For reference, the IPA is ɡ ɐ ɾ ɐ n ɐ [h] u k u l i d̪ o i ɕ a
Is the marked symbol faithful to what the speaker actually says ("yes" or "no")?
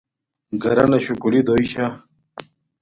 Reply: no